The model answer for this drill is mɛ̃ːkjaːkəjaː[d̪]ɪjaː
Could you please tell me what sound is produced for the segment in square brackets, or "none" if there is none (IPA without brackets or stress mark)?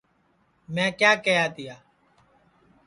t̪